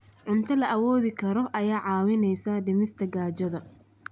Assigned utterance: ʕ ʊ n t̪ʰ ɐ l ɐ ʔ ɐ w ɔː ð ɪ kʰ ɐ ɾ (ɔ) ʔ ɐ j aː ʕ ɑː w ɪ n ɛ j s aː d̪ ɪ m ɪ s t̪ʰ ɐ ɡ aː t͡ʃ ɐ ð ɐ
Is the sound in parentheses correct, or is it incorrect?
correct